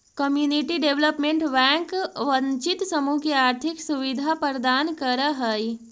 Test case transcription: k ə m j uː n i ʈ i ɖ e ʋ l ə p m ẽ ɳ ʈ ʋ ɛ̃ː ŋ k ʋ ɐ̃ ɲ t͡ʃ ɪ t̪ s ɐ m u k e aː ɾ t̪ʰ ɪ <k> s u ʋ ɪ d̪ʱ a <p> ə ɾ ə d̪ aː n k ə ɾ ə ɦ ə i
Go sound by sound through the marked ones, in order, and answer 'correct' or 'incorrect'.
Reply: correct, correct

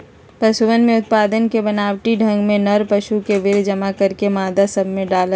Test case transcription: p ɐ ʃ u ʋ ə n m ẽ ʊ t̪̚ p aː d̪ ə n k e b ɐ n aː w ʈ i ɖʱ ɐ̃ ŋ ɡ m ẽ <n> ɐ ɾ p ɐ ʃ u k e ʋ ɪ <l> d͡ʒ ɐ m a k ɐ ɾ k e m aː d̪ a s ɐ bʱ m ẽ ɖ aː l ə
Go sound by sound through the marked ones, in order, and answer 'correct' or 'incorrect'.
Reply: correct, incorrect

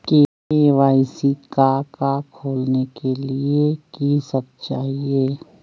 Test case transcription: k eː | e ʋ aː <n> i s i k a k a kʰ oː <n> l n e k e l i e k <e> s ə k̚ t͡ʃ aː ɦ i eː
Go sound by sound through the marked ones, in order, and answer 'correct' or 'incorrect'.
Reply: incorrect, incorrect, incorrect

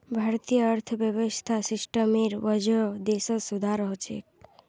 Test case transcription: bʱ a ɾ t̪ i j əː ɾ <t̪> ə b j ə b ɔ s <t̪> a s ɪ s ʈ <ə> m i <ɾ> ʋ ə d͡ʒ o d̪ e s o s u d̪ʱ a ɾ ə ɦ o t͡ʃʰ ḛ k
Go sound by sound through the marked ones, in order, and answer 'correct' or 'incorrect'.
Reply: incorrect, incorrect, correct, correct

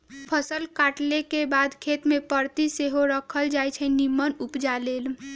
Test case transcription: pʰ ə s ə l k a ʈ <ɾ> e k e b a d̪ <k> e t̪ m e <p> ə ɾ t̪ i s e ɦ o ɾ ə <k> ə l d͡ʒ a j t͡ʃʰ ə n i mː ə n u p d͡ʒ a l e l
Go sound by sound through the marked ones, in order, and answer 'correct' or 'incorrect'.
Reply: incorrect, incorrect, correct, incorrect

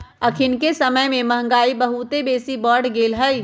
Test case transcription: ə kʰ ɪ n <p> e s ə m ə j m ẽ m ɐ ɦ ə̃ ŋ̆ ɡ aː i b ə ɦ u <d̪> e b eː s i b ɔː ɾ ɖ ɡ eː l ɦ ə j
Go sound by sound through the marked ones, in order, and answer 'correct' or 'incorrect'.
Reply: incorrect, incorrect

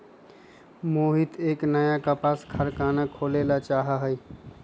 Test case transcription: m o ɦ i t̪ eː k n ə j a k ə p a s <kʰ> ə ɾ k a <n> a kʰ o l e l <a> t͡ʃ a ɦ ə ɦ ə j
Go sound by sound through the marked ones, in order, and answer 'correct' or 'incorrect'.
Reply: correct, correct, correct

